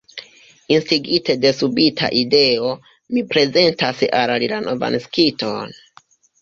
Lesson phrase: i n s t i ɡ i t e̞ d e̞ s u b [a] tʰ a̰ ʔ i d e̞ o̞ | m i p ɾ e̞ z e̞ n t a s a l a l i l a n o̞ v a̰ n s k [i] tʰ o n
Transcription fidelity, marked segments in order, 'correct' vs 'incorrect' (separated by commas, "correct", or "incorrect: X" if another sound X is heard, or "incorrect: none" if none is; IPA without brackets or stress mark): incorrect: i, correct